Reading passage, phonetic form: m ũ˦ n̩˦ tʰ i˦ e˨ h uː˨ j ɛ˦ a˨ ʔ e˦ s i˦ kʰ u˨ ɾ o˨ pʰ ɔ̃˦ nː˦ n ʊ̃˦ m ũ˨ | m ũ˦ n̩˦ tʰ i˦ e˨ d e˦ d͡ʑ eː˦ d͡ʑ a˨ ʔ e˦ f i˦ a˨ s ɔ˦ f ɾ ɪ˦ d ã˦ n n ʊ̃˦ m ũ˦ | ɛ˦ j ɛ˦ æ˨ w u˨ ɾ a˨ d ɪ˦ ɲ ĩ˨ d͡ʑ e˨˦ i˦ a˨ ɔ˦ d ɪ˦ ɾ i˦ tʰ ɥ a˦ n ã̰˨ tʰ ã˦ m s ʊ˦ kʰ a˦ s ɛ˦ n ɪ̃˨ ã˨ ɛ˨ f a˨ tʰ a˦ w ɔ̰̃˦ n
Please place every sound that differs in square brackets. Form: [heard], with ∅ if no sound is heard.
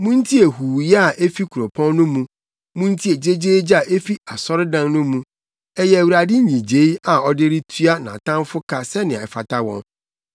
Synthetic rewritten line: m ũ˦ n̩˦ tʰ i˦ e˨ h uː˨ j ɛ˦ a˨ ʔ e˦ [f] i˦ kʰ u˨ ɾ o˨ pʰ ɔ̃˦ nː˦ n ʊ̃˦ m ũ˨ | m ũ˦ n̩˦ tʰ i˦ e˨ [d͡ʑ] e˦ d͡ʑ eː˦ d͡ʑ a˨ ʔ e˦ f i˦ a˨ s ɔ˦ [∅] ɾ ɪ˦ d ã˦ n n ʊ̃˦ m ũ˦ | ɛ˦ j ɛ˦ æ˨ w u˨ ɾ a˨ d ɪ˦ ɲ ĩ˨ d͡ʑ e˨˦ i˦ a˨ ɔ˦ d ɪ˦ ɾ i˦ tʰ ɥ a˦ n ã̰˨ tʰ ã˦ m [f] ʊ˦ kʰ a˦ s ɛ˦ n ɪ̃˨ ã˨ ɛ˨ f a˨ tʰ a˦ w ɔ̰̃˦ n